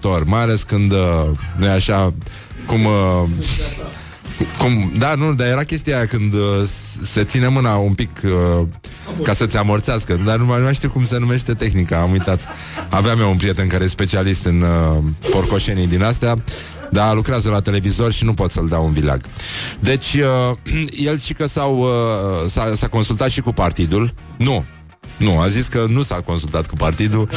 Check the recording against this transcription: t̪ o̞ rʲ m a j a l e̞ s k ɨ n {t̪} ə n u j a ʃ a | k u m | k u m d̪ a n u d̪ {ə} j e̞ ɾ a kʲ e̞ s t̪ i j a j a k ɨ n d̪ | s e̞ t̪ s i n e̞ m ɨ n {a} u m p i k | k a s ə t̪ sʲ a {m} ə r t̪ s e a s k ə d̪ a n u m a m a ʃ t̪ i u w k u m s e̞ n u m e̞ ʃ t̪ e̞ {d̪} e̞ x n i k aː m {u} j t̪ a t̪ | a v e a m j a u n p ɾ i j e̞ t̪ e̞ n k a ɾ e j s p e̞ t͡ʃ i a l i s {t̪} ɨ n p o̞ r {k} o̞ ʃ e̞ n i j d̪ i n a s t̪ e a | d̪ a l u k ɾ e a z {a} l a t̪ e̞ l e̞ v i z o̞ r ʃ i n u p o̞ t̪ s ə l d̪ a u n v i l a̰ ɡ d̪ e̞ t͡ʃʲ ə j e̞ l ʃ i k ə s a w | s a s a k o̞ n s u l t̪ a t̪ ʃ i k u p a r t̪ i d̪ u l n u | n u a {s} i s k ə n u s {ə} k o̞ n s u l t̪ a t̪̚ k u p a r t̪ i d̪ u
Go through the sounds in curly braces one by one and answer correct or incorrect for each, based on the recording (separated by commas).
incorrect, incorrect, correct, correct, incorrect, correct, correct, correct, incorrect, incorrect, incorrect